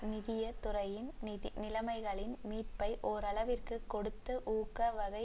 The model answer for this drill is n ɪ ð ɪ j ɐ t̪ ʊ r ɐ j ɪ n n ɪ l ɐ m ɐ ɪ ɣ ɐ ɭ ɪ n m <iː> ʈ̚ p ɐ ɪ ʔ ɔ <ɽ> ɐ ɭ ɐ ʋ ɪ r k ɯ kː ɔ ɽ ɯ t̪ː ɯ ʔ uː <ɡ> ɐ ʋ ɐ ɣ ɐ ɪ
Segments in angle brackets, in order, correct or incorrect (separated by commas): correct, incorrect, incorrect